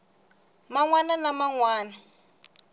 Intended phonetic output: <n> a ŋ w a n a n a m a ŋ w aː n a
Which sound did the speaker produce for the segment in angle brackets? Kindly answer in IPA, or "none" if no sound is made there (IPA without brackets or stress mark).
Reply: m